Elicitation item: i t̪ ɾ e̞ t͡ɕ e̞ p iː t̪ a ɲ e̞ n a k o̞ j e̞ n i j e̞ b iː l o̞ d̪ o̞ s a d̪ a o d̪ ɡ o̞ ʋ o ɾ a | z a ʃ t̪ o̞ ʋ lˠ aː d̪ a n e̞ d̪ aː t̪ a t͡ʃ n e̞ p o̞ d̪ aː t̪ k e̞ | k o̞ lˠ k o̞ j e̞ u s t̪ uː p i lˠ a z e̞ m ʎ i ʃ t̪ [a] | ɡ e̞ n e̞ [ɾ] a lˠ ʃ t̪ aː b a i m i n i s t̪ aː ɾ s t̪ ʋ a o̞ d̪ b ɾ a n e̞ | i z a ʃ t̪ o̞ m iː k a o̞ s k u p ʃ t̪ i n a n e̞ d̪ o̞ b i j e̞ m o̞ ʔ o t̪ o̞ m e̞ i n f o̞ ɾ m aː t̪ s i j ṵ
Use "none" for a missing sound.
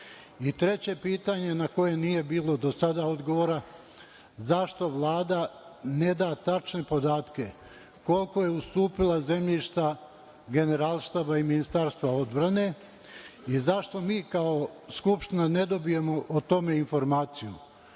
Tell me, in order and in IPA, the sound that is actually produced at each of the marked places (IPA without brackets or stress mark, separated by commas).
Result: a, ɾ